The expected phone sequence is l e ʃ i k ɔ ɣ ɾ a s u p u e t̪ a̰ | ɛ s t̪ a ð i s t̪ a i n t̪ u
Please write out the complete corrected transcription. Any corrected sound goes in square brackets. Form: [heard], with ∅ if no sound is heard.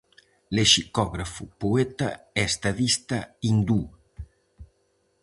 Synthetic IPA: l e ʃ i k ɔ ɣ ɾ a [f] u p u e t̪ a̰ | ɛ s t̪ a ð i s t̪ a i n [d̪] u

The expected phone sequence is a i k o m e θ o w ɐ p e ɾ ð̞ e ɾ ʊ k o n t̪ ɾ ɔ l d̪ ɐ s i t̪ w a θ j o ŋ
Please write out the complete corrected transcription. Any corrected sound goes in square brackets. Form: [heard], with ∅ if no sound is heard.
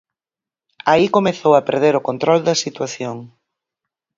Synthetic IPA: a i k o m e θ o w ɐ p e ɾ ð̞ e ɾ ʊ k o n t̪ ɾ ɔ l d̪ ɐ s i t̪ w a θ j o ŋ

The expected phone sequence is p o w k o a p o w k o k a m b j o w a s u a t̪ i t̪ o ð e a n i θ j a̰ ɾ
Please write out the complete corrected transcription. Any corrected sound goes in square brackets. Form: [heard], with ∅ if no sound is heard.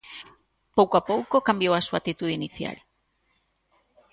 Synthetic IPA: p o w k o a p o w k o k a m b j o w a s u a t̪ i t̪ [u] ð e [i] n i θ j a̰ [l]

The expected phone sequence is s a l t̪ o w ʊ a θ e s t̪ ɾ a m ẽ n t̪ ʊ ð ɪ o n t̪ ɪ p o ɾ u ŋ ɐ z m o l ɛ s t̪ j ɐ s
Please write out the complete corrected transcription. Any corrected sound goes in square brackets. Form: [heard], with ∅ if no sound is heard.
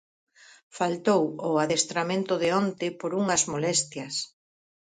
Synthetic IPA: [f] a l t̪ o w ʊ a [ð] e s t̪ ɾ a m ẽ n t̪ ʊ ð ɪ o n t̪ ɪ p o ɾ u ŋ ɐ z m o l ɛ s t̪ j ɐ s

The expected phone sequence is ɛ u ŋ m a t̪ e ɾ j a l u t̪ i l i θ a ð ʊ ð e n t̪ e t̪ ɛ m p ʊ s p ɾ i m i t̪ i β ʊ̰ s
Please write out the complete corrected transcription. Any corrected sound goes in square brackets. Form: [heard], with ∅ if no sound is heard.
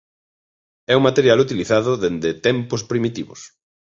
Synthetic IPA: ɛ u ŋ m a t̪ e ɾ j a l u t̪ i l i θ a ð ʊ ð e n [d̪] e t̪ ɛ m p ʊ s p ɾ i m i t̪ i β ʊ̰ s

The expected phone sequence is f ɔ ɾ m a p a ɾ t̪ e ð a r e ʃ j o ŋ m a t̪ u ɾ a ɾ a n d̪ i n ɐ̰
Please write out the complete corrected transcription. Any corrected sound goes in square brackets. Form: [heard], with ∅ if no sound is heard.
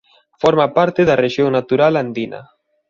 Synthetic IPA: f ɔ ɾ m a p a ɾ t̪ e ð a r e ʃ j o ŋ [n] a t̪ u ɾ a [l] a n d̪ i n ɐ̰

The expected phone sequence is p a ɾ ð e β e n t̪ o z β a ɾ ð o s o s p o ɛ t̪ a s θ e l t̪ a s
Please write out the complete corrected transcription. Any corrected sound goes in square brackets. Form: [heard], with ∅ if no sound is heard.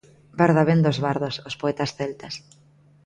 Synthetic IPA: [b] a ɾ ð [a] β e n [d̪] o z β a ɾ ð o s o s p o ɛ t̪ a s θ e l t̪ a s

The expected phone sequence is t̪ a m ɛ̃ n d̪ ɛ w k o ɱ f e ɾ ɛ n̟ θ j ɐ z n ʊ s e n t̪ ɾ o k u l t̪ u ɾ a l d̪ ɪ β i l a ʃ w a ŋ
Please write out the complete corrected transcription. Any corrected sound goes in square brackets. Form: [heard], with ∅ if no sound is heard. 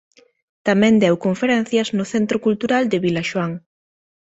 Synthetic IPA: t̪ a m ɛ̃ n d̪ ɛ w k o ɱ f e ɾ ɛ n̟ θ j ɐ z n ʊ [θ] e n t̪ ɾ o k u l t̪ u ɾ a l d̪ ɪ β i l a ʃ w a ŋ

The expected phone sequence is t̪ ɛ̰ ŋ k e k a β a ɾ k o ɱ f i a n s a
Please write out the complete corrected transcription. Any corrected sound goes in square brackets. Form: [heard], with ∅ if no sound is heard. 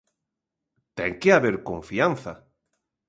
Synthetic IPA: t̪ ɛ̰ ŋ k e [∅] a β [e] ɾ k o ɱ f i a n [θ] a

